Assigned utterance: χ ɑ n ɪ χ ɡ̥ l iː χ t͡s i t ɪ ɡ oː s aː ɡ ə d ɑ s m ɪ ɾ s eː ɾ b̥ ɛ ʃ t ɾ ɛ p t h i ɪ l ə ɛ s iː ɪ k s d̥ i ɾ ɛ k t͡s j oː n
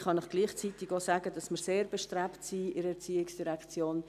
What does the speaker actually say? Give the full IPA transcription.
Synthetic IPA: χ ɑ n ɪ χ ɡ̥ l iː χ t͡s i t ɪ ɡ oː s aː ɡ ə d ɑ s m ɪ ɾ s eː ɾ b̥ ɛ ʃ t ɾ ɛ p t s i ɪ ɾ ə ɛ t͡s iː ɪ k s d̥ i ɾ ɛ k t͡s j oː n